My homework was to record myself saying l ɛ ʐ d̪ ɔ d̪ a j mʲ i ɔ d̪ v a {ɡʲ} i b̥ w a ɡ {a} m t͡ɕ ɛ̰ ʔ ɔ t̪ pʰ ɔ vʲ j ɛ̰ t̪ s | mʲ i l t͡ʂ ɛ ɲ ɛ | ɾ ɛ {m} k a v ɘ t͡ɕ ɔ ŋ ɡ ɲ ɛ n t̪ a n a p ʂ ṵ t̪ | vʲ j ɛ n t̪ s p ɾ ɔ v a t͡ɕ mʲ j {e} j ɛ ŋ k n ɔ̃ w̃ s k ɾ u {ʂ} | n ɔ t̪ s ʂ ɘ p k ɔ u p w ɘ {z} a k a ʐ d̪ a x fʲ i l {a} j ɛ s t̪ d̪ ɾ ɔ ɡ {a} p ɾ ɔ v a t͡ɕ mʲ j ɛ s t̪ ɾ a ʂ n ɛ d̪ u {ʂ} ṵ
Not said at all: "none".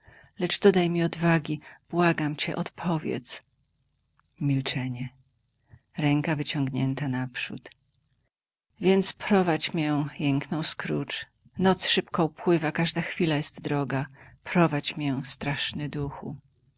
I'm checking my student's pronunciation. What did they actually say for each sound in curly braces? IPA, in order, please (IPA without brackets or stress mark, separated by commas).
ɡʲ, a, ŋ, ɛ, t͡ʂ, v, a, a, x